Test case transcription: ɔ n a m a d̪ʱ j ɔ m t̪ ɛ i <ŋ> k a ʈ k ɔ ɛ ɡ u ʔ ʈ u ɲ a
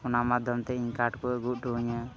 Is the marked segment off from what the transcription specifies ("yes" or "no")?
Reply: yes